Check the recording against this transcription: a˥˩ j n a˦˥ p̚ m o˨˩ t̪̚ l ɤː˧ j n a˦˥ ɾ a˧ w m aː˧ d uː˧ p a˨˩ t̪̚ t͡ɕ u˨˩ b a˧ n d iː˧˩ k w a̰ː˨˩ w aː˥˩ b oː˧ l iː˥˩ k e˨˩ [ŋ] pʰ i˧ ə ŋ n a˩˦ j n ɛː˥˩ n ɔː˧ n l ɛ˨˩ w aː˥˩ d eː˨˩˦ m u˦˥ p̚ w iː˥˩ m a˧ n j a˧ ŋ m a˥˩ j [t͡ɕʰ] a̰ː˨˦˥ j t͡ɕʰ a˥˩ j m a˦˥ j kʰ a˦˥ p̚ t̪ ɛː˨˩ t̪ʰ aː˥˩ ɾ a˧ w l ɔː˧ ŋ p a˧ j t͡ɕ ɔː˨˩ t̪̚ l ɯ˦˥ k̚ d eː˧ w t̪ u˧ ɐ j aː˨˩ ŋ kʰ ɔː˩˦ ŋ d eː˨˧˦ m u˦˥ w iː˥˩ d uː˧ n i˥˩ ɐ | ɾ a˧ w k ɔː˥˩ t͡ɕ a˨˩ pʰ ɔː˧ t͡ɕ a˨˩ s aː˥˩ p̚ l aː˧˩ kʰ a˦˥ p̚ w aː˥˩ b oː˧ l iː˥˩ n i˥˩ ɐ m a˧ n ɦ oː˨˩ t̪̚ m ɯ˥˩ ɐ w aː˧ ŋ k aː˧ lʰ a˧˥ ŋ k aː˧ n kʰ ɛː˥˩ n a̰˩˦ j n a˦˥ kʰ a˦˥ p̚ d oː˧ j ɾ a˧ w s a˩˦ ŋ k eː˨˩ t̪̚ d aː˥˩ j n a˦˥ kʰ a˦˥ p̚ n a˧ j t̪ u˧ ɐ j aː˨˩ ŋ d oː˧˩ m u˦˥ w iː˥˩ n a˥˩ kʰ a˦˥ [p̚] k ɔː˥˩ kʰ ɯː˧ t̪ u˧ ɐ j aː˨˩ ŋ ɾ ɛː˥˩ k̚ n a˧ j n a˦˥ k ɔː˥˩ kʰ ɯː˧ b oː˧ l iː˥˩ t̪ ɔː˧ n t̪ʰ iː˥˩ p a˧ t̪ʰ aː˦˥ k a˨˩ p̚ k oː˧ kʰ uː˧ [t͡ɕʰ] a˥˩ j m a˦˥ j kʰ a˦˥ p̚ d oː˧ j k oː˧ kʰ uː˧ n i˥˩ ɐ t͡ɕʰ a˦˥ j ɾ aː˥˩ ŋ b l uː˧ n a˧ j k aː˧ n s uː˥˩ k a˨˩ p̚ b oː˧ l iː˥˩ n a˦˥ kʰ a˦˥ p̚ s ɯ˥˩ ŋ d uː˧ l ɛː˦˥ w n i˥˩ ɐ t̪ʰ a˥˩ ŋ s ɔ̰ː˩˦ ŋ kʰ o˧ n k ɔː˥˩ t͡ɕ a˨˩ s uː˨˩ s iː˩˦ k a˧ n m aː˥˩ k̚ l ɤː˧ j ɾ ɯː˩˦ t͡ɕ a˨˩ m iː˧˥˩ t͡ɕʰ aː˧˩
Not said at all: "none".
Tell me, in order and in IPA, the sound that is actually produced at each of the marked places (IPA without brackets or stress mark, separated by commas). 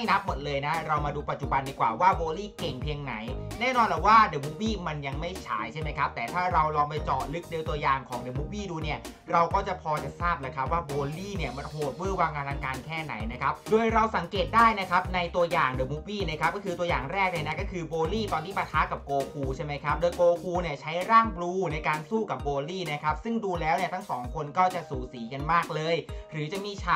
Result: ŋ, t͡ɕʰ, p̚, t͡ɕʰ